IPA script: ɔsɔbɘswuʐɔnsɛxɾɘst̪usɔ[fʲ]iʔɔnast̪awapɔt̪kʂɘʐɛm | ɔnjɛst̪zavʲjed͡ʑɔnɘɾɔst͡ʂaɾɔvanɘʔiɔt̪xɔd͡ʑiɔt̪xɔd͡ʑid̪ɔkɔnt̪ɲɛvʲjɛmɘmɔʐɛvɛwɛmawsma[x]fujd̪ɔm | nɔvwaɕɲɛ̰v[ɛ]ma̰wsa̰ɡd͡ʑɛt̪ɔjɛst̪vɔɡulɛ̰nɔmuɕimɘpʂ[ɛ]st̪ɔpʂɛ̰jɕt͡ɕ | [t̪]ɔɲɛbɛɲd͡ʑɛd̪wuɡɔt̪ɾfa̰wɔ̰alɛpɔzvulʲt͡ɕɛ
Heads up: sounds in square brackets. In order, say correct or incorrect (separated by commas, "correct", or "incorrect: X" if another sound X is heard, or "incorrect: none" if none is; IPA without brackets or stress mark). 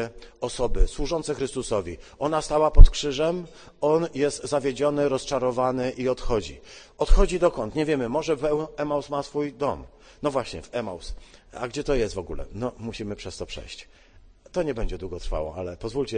incorrect: vʲ, incorrect: s, correct, correct, correct